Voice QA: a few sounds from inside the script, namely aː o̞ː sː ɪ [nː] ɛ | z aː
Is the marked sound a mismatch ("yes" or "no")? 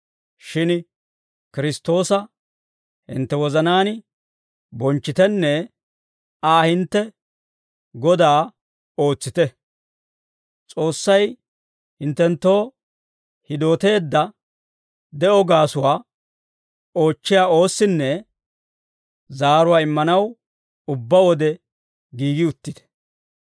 no